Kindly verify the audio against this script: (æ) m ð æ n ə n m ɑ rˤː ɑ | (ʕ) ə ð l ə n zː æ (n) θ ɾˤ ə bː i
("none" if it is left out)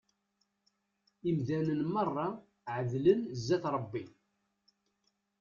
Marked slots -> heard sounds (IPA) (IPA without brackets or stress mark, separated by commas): i, ʕ, none